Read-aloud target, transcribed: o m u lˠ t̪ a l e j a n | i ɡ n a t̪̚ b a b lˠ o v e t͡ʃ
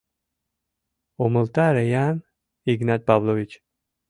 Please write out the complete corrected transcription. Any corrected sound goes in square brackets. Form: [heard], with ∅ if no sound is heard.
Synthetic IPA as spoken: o m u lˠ t̪ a [ɾ] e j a n | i ɡ n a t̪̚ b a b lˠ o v [i] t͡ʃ

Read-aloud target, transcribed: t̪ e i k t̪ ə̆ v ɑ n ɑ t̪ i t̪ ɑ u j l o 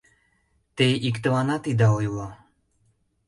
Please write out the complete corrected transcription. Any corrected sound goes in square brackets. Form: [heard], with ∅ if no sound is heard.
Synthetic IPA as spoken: t̪ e i k t̪ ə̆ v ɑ n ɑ t̪ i [d̪] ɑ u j l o

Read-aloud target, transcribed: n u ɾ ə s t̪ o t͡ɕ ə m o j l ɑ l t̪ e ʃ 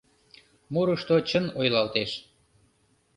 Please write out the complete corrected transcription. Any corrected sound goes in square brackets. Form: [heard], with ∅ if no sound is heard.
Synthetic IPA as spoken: [m] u ɾ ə [ʃ] t̪ o t͡ɕ ə [n] o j l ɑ l t̪ e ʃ

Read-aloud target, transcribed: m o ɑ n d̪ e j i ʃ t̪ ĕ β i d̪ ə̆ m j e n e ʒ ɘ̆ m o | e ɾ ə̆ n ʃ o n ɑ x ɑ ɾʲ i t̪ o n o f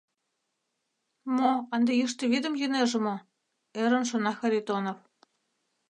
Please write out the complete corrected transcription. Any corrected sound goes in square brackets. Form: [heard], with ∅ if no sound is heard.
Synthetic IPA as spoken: m o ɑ n d̪ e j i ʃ t̪ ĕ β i d̪ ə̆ m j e n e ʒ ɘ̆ m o | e ɾ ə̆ n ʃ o n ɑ x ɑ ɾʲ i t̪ o n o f

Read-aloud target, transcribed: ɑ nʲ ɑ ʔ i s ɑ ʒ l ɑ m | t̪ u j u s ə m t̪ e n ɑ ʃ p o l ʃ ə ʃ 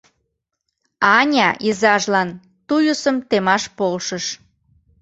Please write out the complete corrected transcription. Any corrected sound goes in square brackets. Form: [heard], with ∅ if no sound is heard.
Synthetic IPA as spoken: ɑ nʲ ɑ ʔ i [z] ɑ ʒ l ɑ [n] | t̪ u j u s ə m t̪ e [m] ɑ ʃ p o l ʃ ə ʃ

